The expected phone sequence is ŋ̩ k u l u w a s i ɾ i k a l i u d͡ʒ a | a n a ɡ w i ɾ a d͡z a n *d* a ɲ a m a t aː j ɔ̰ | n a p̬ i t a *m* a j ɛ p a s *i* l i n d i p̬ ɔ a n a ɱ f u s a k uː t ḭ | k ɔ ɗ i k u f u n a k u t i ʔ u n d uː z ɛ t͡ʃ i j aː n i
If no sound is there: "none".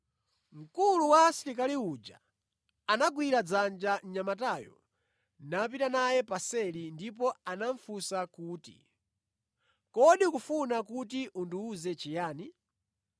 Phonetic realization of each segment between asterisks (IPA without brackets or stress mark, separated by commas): d͡ʒ, n, ɛ